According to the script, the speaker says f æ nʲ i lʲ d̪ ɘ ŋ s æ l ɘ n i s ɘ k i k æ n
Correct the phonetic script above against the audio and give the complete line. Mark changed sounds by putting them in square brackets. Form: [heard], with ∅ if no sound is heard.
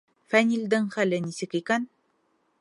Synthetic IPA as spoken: f æ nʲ i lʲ d̪ ɘ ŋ [χ] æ l ɘ n i s ɘ k i k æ n